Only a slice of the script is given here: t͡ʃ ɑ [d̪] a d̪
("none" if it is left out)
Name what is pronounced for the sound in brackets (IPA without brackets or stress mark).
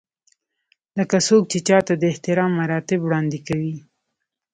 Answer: t̪